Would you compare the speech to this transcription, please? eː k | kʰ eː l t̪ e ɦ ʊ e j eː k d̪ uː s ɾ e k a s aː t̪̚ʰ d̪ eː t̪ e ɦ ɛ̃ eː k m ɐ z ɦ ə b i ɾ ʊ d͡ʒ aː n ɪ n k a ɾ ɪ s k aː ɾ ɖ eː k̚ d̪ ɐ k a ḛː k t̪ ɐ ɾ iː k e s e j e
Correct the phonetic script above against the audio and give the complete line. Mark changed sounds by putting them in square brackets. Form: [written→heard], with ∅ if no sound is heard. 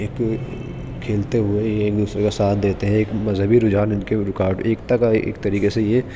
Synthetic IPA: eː k | kʰ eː l t̪ e ɦ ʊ e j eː k d̪ uː s ɾ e k a s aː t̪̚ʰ d̪ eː t̪ e ɦ ɛ̃ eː k m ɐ z ɦ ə b i ɾ ʊ d͡ʒ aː n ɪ n k [a→e] ɾ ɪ [s→∅] k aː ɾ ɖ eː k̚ [d̪→t̪] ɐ k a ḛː k t̪ ɐ ɾ iː k e s e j e